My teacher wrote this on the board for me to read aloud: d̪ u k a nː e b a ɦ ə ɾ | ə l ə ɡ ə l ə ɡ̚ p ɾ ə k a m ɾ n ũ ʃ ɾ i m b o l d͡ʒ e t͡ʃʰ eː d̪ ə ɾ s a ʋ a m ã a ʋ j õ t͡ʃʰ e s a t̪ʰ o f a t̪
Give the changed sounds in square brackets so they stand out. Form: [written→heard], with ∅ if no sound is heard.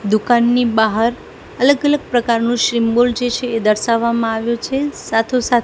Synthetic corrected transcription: d̪ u k a nː [e→i] b a ɦ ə ɾ | ə l ə ɡ ə l ə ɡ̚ p ɾ ə k a [m→∅] ɾ n ũ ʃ ɾ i m b o l d͡ʒ e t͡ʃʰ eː d̪ ə ɾ [s→ʃ] a [ʋ→ʋː] a m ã a ʋ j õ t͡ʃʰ e s a t̪ʰ o [f→s] a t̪

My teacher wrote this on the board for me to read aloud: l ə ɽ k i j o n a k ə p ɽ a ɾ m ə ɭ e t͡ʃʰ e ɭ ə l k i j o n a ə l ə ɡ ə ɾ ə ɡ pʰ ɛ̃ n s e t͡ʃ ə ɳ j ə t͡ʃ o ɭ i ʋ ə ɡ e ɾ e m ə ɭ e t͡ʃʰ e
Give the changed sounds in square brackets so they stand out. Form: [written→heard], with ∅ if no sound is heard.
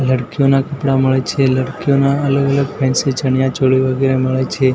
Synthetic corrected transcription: l ə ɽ k i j o n a k ə p ɽ a [ɾ→∅] m ə ɭ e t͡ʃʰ e [ɭ→l] ə [l→ɽ] k i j o n a ə l ə ɡ ə [ɾ→l] ə ɡ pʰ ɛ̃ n s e t͡ʃ ə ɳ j [ə→a] t͡ʃ o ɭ i ʋ ə ɡ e ɾ e m ə ɭ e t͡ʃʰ e

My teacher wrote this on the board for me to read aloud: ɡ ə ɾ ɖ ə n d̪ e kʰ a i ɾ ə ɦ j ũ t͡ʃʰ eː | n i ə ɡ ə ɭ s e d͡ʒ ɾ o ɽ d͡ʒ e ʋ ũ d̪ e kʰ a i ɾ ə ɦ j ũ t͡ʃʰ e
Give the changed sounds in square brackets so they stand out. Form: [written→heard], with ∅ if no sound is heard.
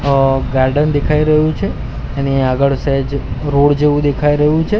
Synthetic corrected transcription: ɡ [ə→a] ɾ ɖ ə n d̪ e kʰ a i ɾ ə ɦ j ũ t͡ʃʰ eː | n i [ə→a] ɡ ə ɭ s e d͡ʒ ɾ o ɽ d͡ʒ e ʋ ũ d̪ e kʰ a i ɾ ə ɦ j ũ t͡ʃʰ e

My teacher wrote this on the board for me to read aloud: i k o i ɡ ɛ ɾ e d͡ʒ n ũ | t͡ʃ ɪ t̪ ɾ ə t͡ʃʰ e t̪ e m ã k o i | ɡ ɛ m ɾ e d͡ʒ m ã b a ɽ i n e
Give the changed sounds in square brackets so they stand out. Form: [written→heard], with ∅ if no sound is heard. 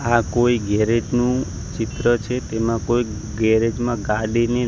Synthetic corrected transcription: [i→a] k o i ɡ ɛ ɾ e d͡ʒ n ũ | t͡ʃ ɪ t̪ ɾ ə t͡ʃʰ e t̪ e m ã k o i | ɡ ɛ [m→∅] ɾ e d͡ʒ m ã [b→ɡ] a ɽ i n e

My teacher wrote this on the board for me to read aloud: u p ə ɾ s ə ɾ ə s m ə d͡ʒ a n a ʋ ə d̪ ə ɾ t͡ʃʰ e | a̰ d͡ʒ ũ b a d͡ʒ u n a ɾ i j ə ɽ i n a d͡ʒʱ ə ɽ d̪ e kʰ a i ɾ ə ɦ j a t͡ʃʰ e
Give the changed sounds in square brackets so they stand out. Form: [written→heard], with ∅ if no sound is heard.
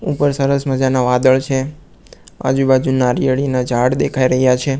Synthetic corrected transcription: u p ə ɾ s ə ɾ ə s m ə d͡ʒ a n a ʋ [ə→a] d̪ ə [ɾ→ɭ] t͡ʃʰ e | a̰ d͡ʒ [ũ→u] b a d͡ʒ u n a ɾ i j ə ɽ i n a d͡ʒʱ [ə→a] ɽ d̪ e kʰ a i ɾ ə ɦ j a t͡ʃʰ e

